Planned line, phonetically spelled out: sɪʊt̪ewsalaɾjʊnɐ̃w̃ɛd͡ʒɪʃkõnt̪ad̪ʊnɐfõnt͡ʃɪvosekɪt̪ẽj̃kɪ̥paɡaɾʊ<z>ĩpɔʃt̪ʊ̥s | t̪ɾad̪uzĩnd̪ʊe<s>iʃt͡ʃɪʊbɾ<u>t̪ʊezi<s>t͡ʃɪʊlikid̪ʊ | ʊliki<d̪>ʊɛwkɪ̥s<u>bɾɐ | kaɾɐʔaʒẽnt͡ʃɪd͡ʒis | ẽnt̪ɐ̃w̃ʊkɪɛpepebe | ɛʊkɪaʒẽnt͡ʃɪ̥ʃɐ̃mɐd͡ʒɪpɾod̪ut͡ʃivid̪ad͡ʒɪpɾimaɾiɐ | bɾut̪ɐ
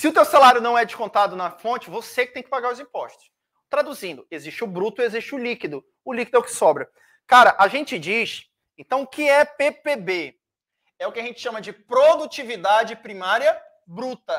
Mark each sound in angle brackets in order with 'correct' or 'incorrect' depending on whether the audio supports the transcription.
correct, incorrect: z, correct, incorrect: ʃ, correct, incorrect: ɔ

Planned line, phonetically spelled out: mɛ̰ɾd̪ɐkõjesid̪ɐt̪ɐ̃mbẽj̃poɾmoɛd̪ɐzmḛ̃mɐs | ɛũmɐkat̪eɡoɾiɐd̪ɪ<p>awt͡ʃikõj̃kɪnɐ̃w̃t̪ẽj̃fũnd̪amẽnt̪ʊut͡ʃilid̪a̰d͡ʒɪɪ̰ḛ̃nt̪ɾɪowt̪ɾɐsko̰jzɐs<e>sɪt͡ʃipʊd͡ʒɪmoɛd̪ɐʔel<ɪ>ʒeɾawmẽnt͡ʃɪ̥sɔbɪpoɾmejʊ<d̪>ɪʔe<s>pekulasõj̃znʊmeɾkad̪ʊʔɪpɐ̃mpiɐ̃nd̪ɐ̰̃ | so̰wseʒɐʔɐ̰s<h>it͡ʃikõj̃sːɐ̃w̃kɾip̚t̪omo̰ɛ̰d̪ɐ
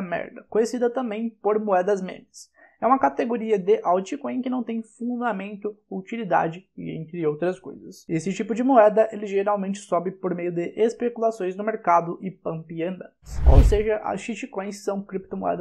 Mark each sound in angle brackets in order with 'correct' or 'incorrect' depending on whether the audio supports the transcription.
incorrect: ʔ, correct, correct, correct, correct, incorrect: ʃ

